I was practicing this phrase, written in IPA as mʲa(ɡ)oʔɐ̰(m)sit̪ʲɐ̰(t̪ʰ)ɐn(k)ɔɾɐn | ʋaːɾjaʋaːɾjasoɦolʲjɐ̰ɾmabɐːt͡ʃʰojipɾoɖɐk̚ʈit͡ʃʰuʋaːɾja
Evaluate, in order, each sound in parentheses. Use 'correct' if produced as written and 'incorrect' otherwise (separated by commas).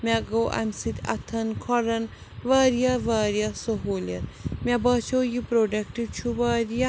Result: correct, correct, correct, incorrect